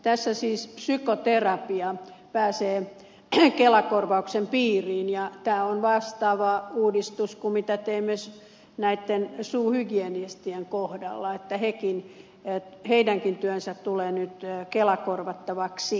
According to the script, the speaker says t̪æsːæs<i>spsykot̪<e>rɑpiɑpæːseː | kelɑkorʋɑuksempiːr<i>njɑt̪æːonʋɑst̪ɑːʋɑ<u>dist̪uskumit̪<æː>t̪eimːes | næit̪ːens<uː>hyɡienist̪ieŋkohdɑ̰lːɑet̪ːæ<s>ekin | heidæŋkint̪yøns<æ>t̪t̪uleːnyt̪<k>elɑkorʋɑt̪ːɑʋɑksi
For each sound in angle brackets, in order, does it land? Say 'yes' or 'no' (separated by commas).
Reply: no, yes, no, no, no, yes, no, yes, yes